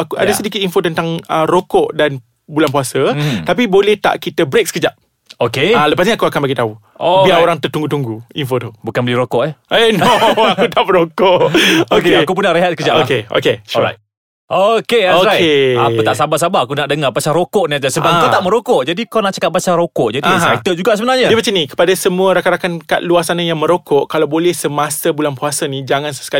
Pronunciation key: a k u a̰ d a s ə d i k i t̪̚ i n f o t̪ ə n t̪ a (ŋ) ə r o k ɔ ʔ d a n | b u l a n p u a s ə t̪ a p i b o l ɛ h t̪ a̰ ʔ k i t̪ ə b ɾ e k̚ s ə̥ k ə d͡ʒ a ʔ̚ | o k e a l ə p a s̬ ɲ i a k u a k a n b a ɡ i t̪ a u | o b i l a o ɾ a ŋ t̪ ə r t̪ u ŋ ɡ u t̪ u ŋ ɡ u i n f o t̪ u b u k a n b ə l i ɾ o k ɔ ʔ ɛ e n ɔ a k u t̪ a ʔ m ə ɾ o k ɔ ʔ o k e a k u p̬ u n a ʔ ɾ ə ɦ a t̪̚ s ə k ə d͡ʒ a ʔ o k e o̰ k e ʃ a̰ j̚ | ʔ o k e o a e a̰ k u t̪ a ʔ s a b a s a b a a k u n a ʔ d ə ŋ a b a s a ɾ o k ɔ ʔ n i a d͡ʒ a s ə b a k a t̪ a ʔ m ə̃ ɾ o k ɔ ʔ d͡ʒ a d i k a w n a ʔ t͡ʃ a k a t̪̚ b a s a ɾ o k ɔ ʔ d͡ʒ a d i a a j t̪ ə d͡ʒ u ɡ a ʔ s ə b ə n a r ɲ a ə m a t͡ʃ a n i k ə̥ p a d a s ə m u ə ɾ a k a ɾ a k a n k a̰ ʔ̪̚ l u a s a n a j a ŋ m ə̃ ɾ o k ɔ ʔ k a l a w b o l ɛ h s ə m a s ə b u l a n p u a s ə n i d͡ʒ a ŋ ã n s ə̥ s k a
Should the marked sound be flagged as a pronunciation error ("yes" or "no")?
no